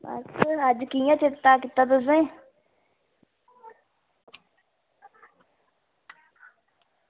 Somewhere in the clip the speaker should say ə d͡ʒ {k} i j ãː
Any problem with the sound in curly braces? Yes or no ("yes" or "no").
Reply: no